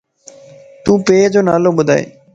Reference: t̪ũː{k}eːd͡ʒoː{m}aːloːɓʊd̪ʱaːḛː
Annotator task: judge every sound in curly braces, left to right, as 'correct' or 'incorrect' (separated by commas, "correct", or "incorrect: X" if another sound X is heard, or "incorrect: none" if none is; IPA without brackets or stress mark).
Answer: incorrect: p, incorrect: n